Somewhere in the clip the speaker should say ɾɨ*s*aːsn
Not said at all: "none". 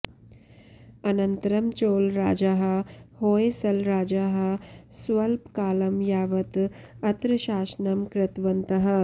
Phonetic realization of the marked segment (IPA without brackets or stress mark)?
ʃ